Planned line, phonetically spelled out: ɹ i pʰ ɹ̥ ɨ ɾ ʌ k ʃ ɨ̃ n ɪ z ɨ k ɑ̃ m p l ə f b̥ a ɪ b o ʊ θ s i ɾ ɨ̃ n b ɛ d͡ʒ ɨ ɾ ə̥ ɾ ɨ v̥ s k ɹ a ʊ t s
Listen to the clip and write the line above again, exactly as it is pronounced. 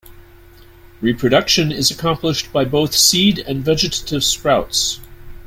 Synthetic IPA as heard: ɹ i pʰ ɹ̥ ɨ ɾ ʌ k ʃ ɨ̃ n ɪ z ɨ kʰ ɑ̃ m p l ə ʃ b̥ a ɪ b o ʊ θ s i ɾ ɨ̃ n v ɛ d͡ʒ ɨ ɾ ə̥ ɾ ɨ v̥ s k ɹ a ʊ t s